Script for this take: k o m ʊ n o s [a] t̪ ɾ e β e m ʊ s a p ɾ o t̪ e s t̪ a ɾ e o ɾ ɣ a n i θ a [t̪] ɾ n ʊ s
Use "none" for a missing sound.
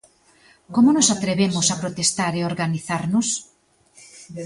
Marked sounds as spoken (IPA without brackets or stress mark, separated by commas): a, none